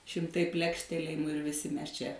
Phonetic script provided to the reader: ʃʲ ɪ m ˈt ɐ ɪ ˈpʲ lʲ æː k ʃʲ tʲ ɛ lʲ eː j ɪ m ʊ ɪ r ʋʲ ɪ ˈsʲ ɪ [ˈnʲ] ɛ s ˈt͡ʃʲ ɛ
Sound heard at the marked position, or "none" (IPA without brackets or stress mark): mʲ